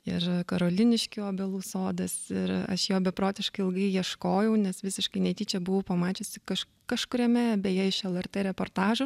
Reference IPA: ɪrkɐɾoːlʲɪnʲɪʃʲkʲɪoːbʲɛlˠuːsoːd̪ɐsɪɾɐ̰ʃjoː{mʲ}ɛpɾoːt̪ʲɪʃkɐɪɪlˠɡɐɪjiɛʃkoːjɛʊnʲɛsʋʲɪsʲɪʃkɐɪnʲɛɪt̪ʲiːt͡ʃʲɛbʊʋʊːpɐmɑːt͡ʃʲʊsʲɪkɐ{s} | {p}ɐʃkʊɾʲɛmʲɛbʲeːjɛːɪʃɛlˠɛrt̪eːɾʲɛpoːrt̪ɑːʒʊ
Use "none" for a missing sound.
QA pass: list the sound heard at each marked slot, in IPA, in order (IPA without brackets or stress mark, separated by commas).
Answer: bʲ, ʃ, k